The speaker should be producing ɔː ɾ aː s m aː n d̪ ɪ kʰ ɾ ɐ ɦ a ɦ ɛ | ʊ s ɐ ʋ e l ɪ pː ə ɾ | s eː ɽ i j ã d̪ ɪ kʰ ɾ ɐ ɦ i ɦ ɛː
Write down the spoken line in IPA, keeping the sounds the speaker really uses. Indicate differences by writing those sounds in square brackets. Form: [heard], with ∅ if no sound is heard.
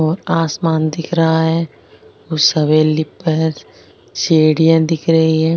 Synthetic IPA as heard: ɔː ɾ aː s m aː n d̪ ɪ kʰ ɾ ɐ ɦ a ɦ ɛ | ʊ s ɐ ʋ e l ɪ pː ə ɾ | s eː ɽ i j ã d̪ ɪ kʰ ɾ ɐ ɦ i ɦ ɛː

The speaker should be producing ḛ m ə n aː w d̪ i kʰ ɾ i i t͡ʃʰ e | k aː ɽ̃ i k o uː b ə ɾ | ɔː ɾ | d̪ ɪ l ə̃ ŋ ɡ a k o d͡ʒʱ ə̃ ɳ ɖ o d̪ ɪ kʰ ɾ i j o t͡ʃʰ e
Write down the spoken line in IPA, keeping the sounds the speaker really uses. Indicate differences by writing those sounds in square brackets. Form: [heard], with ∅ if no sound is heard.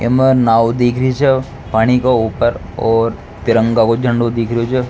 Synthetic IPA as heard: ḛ m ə n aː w d̪ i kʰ ɾ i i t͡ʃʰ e | [p] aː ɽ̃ i k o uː [p] ə ɾ | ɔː ɾ | [t̪] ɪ [ɾ] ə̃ ŋ ɡ a k o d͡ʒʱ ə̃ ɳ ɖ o d̪ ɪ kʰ ɾ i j o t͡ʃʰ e

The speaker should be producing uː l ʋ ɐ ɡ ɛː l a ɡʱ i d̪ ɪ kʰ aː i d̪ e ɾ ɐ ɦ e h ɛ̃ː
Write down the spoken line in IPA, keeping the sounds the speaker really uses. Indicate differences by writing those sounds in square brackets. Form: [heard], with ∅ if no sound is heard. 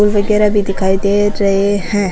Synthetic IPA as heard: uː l ʋ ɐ ɡ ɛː [ɾ] a [bʱ] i d̪ ɪ kʰ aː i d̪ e ɾ ɐ ɦ e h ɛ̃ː

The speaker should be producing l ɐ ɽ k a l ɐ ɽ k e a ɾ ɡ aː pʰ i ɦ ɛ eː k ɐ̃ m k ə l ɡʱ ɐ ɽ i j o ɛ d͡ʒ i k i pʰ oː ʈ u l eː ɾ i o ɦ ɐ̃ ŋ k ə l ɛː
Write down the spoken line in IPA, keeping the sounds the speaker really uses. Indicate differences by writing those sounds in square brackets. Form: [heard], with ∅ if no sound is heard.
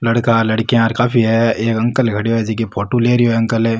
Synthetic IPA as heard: l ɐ ɽ k a l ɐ ɽ k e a ɾ [k] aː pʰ i ɦ ɛ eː k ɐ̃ [ŋ] k ə l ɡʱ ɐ ɽ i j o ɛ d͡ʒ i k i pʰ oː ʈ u l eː ɾ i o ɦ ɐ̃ ŋ k ə l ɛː

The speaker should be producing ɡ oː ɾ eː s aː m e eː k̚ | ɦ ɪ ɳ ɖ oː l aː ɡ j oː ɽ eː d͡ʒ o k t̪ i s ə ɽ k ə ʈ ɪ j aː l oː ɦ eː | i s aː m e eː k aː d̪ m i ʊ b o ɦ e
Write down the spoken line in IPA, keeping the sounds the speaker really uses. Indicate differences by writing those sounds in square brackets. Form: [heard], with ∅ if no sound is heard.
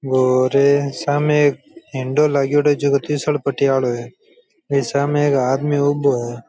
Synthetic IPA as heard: ɡ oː ɾ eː s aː m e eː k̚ | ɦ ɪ ɳ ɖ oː l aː ɡ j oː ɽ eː d͡ʒ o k t̪ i s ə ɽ [p] ə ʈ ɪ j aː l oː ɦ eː | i s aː m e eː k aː d̪ m i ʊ b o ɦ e

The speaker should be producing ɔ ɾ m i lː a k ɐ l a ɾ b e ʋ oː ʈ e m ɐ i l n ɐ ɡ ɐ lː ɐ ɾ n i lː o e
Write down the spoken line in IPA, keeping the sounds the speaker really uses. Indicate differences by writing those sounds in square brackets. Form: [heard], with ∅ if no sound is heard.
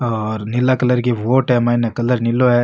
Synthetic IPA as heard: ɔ ɾ [n] i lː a k ɐ l [ɐ] ɾ [ɡ] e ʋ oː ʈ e m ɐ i [∅] n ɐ [k] ɐ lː ɐ ɾ n i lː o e

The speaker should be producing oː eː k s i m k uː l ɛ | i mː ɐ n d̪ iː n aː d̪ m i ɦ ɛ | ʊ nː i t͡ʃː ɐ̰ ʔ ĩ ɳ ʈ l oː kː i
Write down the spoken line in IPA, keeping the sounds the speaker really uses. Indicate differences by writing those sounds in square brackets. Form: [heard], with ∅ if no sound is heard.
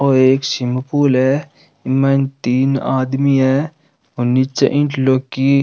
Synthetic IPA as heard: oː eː k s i m [p] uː l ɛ | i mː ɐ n [t̪] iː n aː d̪ m i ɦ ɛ | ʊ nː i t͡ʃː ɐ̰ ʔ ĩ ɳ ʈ l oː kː i

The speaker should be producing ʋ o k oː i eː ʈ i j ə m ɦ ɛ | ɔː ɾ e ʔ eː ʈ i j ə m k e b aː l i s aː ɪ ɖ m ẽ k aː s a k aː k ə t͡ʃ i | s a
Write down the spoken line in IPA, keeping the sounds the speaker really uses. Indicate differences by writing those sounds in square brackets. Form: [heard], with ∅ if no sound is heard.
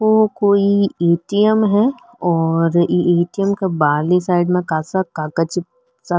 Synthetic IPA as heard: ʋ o k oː i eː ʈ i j ə m ɦ ɛ | ɔː ɾ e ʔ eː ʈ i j ə m k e b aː l i s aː ɪ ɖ m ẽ k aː s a k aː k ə t͡ʃ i | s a

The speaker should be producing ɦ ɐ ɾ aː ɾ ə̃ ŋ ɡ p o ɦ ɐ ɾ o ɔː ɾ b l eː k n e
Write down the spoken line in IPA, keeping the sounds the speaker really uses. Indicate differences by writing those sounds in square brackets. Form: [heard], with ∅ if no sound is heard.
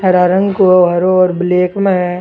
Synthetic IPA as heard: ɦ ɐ ɾ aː ɾ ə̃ ŋ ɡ [k] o ɦ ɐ ɾ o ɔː ɾ b l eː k [m] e

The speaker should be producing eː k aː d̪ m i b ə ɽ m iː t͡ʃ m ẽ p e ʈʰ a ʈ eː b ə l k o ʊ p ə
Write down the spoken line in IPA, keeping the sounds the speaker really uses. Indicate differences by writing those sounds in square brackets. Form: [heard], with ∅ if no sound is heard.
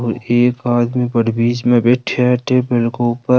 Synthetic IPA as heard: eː k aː d̪ m i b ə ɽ [b] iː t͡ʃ m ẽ [b] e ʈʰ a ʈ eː b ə l k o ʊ p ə

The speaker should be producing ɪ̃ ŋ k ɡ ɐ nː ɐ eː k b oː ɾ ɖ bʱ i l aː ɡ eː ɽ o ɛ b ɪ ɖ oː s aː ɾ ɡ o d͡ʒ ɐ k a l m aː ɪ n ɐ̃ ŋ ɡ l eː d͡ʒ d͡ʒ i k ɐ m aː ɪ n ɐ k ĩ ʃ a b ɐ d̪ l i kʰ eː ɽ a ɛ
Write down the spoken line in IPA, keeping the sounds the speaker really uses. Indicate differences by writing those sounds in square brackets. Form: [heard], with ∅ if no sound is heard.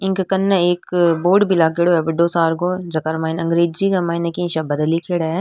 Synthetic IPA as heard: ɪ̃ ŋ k [k] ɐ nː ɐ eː k b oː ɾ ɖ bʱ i l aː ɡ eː ɽ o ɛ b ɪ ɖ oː s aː ɾ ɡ o d͡ʒ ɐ k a [ɾ] m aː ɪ n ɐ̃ ŋ ɡ [ɾ] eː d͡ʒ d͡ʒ i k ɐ m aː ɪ n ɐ k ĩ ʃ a b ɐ d̪ l i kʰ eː ɽ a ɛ

